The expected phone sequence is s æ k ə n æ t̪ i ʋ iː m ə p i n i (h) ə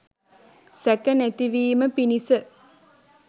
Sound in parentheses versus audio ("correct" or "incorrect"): incorrect